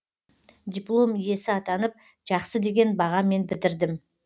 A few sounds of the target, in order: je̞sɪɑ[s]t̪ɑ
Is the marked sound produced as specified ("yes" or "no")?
no